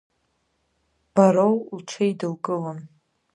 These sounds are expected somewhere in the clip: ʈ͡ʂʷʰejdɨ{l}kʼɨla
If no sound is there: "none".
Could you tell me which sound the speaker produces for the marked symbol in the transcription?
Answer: l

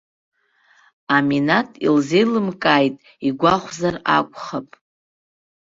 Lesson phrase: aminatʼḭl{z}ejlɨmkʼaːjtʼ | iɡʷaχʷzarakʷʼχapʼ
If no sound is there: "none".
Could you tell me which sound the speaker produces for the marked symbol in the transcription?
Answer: z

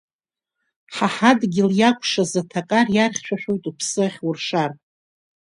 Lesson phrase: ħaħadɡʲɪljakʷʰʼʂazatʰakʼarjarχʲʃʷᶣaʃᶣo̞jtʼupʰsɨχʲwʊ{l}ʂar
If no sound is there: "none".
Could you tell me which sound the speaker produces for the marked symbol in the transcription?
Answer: r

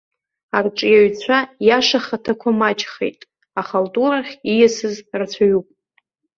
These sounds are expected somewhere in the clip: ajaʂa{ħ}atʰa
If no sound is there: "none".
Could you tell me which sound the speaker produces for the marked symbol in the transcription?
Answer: χ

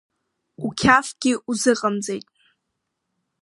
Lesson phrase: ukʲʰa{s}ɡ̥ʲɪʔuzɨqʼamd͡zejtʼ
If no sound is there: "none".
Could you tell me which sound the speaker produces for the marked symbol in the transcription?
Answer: f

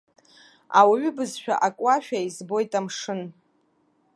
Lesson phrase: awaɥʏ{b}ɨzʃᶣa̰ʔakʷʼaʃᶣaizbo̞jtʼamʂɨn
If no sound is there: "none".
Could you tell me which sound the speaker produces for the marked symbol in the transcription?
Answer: b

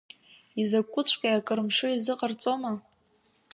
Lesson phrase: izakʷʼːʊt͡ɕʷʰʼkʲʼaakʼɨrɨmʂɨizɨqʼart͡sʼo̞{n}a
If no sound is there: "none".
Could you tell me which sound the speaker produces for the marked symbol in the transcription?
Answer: m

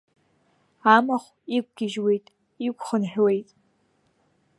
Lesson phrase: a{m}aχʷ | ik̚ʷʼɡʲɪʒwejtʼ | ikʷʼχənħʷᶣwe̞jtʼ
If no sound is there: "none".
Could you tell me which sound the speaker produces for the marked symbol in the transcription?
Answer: m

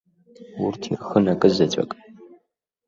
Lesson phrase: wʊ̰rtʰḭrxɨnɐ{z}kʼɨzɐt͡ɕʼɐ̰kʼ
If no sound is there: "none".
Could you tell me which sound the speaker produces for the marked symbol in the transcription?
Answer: none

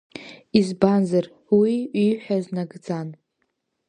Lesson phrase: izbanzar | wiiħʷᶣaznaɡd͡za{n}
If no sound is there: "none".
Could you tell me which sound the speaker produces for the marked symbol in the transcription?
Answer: n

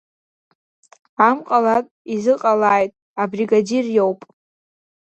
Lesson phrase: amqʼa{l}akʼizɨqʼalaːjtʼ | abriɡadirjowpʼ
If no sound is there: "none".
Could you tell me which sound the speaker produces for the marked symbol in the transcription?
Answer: l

